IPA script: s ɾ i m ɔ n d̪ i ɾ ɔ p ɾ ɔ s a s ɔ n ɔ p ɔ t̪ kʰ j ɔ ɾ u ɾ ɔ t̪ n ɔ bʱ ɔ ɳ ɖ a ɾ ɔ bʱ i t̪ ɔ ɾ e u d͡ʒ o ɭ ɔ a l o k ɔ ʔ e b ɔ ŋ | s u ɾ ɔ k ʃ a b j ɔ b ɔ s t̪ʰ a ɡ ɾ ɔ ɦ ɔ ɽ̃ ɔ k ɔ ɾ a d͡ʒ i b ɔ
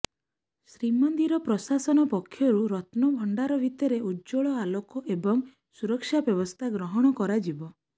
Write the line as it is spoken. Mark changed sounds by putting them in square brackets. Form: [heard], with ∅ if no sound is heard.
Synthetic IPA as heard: s ɾ i m ɔ n d̪ i ɾ ɔ p ɾ ɔ s a s ɔ n ɔ p ɔ [∅] kʰ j ɔ ɾ u ɾ ɔ t̪ n ɔ bʱ ɔ ɳ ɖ a ɾ ɔ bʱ i t̪ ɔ ɾ e u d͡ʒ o ɭ ɔ a l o k ɔ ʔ e b ɔ ŋ | s u ɾ ɔ k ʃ a b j ɔ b ɔ s t̪ʰ a ɡ ɾ ɔ ɦ ɔ ɽ̃ ɔ k ɔ ɾ a d͡ʒ i b ɔ